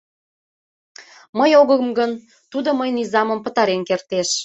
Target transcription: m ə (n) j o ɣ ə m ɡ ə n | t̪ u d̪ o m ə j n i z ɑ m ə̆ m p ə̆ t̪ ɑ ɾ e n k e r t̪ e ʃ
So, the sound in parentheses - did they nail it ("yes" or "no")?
no